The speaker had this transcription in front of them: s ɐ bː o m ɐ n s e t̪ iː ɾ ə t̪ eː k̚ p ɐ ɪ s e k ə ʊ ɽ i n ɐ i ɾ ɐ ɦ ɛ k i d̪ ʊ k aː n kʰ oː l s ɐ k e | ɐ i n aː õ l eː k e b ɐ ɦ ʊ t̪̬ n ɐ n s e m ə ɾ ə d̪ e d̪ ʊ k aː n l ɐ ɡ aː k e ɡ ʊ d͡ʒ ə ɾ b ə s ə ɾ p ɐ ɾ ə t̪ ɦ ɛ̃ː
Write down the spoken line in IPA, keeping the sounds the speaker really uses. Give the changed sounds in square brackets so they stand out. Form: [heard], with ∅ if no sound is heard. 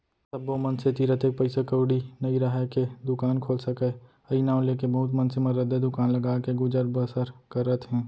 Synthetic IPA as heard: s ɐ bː o m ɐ n s e t̪ iː ɾ ə t̪ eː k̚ p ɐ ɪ s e k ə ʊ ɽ i n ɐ i ɾ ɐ ɦ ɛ k [e] d̪ ʊ k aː n kʰ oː l s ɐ k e | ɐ i n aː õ l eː k e b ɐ ɦ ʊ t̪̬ [m] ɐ n s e m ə ɾ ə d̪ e d̪ ʊ k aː n l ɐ ɡ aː k e ɡ ʊ d͡ʒ ə ɾ b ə s ə ɾ [k] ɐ ɾ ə t̪ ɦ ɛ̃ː